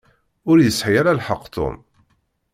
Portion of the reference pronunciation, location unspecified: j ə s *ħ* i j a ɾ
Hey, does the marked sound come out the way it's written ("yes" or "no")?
yes